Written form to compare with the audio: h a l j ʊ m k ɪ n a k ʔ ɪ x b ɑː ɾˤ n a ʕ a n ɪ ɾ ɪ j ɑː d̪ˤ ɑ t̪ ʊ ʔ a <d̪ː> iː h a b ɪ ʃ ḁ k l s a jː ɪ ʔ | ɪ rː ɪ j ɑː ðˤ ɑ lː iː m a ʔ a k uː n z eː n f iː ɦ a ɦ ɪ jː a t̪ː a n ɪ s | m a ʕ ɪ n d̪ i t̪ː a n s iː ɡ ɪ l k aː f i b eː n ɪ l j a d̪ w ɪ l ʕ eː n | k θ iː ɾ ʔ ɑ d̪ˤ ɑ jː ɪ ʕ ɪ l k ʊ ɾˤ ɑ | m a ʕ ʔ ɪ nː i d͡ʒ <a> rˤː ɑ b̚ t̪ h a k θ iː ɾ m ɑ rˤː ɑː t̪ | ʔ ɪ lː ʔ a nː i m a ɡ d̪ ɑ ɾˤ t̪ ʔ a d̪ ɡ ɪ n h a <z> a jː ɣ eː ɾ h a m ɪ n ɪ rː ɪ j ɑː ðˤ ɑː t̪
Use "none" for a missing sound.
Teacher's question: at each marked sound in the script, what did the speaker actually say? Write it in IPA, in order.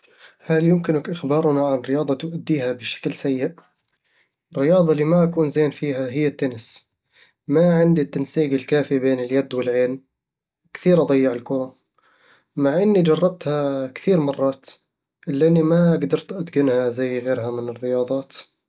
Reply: d̪ː, ɑ, z

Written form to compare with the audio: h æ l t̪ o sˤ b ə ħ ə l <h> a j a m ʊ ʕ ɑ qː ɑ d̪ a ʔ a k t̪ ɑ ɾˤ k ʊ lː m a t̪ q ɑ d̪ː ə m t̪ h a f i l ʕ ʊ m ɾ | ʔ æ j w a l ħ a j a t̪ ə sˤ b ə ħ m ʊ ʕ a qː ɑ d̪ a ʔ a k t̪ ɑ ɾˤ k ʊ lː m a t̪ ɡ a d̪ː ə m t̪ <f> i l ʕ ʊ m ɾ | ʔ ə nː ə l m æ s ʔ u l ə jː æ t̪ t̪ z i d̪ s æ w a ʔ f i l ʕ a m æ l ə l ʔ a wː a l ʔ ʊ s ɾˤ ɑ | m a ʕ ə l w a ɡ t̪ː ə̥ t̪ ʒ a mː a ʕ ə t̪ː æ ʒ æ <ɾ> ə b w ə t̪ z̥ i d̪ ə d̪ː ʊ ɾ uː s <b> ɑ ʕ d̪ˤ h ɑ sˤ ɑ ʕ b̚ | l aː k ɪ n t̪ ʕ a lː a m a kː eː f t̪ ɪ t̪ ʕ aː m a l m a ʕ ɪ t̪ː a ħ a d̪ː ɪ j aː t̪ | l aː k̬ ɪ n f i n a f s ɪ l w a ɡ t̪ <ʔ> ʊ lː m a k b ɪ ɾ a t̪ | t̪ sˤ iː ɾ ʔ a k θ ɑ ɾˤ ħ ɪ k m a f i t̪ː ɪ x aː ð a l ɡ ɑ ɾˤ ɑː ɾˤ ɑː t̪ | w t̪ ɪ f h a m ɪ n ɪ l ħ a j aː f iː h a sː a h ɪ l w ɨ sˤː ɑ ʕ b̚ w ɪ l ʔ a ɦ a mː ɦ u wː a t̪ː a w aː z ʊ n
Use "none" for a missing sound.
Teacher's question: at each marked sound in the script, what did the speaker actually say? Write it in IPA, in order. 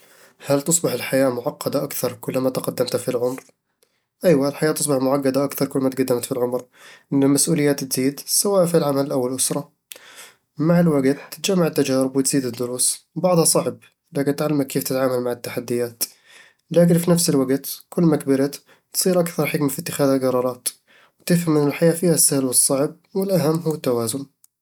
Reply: ħ, f, ɾ, b, k

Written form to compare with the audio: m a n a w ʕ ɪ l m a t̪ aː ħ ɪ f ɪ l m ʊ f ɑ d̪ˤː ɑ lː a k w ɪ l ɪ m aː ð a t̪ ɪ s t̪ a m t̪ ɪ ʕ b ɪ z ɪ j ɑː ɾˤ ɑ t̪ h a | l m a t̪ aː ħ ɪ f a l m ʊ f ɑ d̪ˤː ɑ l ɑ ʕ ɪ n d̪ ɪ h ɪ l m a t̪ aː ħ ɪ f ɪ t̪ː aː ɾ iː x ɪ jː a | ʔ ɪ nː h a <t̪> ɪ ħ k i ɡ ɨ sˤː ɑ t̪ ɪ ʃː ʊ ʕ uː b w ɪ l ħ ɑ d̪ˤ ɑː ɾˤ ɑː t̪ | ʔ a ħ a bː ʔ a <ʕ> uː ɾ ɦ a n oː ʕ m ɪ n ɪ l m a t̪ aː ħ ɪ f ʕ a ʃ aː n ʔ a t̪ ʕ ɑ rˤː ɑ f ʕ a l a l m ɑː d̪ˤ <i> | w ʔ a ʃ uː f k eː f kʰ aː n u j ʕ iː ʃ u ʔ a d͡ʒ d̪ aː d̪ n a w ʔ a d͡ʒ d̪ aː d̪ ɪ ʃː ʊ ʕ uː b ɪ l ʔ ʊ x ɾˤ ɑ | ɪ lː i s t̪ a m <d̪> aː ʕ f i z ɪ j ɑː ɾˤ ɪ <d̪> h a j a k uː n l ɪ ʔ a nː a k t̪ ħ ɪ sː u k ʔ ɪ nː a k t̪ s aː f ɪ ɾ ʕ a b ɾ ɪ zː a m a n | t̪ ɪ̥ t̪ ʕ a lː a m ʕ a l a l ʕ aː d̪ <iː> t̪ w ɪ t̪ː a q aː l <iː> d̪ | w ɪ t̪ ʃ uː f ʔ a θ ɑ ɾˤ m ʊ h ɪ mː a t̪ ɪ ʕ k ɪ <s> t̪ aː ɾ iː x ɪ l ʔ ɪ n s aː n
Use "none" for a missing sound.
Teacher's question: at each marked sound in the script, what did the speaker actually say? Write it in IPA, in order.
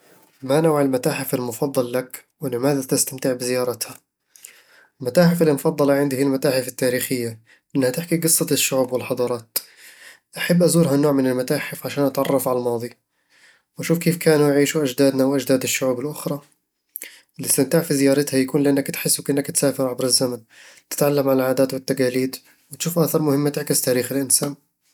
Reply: t̪, z, i, t̪, t̪, aː, iː, s

